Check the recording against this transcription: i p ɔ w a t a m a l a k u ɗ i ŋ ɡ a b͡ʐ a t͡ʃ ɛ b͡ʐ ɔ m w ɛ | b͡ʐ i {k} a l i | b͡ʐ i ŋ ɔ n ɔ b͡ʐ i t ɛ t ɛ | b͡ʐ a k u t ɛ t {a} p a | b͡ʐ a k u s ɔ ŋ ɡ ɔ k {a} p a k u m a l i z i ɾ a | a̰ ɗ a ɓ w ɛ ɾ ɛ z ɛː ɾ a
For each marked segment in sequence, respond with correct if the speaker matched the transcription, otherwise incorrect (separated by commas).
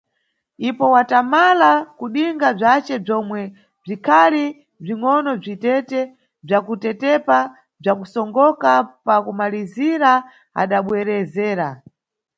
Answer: incorrect, incorrect, correct